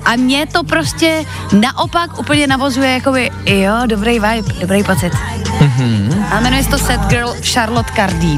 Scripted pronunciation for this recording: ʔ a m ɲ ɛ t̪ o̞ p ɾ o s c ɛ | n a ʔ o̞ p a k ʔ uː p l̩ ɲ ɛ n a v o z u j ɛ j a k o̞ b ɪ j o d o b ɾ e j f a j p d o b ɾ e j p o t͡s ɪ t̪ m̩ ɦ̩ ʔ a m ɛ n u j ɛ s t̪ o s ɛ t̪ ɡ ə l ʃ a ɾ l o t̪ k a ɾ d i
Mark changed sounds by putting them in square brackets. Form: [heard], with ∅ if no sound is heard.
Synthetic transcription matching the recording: ʔ a m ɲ ɛ t̪ o̞ p ɾ o s c ɛ | n a ʔ o̞ p a k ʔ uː p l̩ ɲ ɛ n a v o z u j ɛ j a k o̞ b ɪ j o d o b ɾ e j [v] a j p d o b ɾ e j p o t͡s ɪ t̪ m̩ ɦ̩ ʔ a m ɛ n u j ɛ s t̪ o s ɛ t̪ ɡ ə l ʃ a ɾ l o t̪ k a ɾ d i